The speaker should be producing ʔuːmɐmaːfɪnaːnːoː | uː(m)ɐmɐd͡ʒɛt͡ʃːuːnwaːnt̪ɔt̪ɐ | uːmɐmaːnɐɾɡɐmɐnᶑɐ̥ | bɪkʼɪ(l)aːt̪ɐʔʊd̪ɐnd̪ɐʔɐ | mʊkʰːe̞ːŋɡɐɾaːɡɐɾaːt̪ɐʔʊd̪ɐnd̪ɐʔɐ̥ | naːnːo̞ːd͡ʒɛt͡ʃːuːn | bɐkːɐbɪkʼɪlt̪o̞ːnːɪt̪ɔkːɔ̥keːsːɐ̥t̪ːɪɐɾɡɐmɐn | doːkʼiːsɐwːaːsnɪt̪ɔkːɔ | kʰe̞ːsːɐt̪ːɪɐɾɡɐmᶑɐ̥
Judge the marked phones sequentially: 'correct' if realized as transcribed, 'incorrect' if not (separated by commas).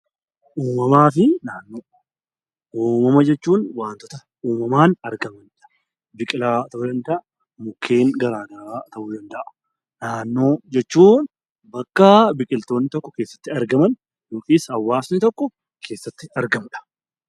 correct, correct